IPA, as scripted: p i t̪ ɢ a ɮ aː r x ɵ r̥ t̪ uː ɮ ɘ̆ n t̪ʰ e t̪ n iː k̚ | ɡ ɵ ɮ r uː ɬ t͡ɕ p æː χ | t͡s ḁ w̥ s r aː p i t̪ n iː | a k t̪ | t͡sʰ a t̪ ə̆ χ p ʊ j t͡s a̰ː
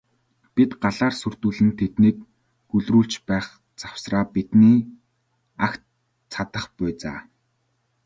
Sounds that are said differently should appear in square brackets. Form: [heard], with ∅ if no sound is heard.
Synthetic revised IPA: p i t̪ ɢ a ɮ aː r [s] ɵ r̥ t̪ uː ɮ ɘ̆ n t̪ʰ e t̪ n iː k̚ | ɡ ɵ ɮ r uː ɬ t͡ɕ p æː χ | t͡s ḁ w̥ s r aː p i t̪ n iː | a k t̪ | t͡sʰ a t̪ ə̆ χ p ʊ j t͡s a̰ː